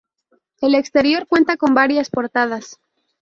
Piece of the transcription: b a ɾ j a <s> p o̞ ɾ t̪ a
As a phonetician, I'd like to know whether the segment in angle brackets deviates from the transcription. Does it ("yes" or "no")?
no